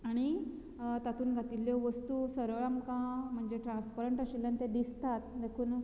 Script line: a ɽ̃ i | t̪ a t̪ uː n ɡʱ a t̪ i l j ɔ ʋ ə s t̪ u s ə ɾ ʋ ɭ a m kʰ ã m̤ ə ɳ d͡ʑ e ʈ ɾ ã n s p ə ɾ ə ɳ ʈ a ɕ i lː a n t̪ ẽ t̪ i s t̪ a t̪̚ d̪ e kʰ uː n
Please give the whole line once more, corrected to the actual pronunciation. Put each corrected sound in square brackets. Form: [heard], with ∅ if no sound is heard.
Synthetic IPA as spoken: a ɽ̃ i | t̪ a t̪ uː n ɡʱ a t̪ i l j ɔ ʋ ə s t̪ u s ə ɾ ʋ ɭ a m [k] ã m̤ ə ɳ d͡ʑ e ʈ ɾ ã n s p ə ɾ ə ɳ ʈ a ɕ i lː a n t̪ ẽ [d̪] i s t̪ a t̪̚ d̪ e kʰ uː n